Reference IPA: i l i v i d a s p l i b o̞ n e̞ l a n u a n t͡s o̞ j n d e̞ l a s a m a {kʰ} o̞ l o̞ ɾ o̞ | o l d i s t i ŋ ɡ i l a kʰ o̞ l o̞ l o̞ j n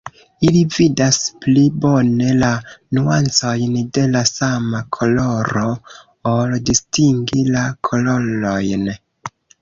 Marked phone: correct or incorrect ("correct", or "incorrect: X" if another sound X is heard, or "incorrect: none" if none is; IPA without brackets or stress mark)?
correct